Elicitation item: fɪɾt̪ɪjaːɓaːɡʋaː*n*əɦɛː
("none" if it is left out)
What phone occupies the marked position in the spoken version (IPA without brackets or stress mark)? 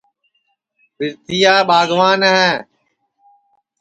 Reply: n